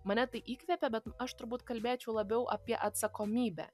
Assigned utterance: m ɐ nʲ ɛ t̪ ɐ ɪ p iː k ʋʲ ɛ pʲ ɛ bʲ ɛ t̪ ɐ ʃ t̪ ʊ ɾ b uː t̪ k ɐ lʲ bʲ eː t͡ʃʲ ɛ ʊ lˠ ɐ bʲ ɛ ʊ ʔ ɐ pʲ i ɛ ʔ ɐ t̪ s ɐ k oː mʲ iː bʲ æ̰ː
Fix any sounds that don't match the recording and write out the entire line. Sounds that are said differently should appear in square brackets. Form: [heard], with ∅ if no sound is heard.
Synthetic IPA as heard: m ɐ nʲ ɛ t̪ ɐ ɪ [ʔ] iː k ʋʲ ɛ pʲ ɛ bʲ ɛ t̪ ɐ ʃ t̪ ʊ ɾ b uː t̪ k ɐ lʲ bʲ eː t͡ʃʲ ɛ ʊ lˠ ɐ bʲ ɛ ʊ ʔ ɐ pʲ i ɛ ʔ ɐ t̪ s ɐ k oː mʲ iː bʲ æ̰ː